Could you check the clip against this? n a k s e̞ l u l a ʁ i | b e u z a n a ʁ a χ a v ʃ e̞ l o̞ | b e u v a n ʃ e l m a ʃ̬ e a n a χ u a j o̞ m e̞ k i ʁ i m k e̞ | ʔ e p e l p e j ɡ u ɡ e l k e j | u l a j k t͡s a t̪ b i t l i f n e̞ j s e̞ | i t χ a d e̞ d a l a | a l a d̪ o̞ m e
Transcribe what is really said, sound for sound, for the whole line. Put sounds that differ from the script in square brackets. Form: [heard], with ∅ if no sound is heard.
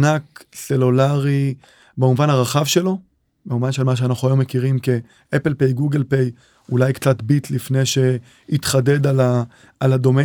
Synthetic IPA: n a k s e̞ l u l a ʁ i | b e u [v] a n a ʁ a χ a v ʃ e̞ l o̞ | b e u v a n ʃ e l m a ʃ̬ e a n a χ u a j o̞ m e̞ k i ʁ i m k e̞ | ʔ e p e l p e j ɡ u ɡ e l [p] e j | u l a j k t͡s a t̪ b i t l i f n e̞ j [ʃ] e̞ | i t χ a d e̞ d a l a | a l a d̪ o̞ m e